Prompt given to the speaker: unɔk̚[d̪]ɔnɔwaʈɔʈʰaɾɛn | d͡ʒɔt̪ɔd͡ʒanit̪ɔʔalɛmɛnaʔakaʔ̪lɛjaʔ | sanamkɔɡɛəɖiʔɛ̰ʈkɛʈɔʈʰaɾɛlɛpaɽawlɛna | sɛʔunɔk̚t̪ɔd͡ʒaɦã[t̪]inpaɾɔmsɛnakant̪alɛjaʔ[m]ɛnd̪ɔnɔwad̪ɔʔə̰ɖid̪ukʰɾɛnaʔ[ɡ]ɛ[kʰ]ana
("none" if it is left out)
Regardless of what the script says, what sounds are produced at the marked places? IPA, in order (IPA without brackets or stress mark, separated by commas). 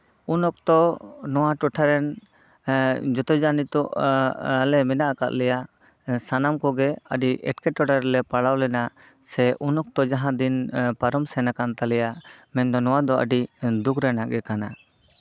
t̪, d̪, m, ɡ, k